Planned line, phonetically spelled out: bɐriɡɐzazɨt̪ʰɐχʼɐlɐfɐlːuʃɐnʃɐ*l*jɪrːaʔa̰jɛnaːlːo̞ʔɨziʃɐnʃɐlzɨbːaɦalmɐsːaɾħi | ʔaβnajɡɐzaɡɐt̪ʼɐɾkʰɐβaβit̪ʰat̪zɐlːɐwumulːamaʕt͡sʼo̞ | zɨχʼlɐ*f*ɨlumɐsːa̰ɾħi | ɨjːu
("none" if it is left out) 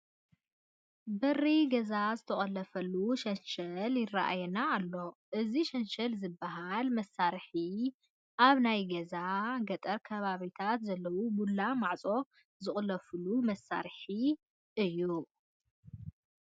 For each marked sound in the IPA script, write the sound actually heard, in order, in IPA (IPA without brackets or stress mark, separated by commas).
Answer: l, f